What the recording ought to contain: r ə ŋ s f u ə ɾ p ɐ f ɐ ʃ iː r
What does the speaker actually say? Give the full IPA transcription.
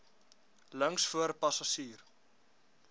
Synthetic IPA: l ə ŋ s f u ə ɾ p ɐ s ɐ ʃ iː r

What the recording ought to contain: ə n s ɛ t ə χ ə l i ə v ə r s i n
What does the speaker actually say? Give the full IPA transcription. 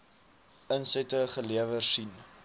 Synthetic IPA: ə n s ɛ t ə χ ə l i ə v ə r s i n

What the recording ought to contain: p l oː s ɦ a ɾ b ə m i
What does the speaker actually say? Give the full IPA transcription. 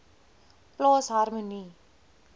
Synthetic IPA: p l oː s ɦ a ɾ m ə n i

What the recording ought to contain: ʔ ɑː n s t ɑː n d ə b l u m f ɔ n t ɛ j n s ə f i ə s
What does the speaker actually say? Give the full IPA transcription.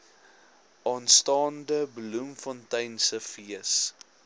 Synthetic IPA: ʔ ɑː n s t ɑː n d ə b l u m f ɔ n t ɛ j n s ə f i ə s

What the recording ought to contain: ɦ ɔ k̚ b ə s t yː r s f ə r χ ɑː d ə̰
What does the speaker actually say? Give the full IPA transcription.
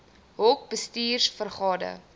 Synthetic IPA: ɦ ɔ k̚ b ə s t iː r s f ə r χ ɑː d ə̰

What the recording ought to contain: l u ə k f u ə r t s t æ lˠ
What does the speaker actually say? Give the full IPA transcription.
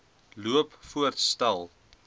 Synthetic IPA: l u ə p f u ə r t s t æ lˠ

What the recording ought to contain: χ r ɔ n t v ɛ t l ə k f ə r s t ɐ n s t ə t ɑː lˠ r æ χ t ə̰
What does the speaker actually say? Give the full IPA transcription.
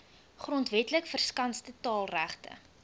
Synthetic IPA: χ r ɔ n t v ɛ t l ə k f ə r s k ɐ n s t ə t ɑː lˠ r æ χ t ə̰

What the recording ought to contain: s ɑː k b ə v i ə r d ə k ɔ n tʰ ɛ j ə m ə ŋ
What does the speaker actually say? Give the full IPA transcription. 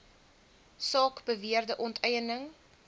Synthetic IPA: s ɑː k b ə v i ə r d ə ʔ ɔ n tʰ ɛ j ə n ə ŋ

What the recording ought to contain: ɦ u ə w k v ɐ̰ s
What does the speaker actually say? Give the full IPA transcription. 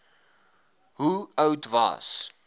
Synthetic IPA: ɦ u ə w t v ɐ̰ s

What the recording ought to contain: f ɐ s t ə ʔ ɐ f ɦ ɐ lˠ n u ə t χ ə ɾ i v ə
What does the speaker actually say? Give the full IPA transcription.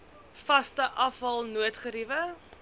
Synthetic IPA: f ɐ s t ə ʔ ɐ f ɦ ɐ lˠ n u ə t χ ə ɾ i v ə

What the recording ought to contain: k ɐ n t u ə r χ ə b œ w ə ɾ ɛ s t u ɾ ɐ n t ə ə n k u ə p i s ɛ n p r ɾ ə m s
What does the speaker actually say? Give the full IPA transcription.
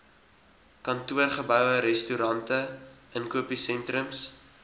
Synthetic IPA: k ɐ n t u ə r χ ə b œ w ə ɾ ɛ s t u ɾ ɐ n t ə ə n k u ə p i s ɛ n t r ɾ ə m s

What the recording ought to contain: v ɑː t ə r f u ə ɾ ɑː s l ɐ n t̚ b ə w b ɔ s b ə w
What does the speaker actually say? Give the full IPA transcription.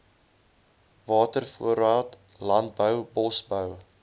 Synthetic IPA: v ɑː t ə r f u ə ɾ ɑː t l ɐ n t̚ b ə w b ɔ s b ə w

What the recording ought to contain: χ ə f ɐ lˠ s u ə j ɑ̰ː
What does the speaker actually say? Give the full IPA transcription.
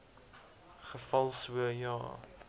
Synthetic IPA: χ ə f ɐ lˠ s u ə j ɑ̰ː

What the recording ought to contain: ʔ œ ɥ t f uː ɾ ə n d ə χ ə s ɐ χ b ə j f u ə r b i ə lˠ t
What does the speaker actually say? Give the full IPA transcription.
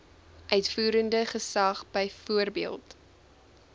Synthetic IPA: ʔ œ ɥ t f uː ɾ ə n d ə χ ə s ɐ χ b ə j f u ə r b i ə lˠ t

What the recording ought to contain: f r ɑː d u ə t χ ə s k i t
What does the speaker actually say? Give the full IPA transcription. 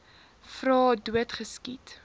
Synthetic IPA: f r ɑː d u ə t χ ə s k i t

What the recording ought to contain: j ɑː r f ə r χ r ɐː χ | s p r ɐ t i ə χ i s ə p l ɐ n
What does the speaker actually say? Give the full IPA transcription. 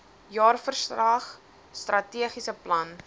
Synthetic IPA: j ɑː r f ə r s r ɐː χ | s t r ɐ t i ə χ i s ə p l ɐ n

